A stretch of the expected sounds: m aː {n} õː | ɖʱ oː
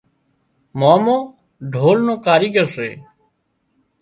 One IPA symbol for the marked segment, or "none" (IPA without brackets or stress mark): m